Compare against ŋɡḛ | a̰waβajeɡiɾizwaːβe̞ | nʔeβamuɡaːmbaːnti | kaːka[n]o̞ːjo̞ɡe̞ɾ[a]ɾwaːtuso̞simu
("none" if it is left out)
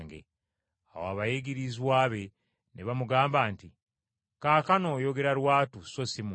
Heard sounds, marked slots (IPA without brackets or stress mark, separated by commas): n, a